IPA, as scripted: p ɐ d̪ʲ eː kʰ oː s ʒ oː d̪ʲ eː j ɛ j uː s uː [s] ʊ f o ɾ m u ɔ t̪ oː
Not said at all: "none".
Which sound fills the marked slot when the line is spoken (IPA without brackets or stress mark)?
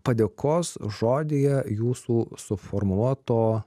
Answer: s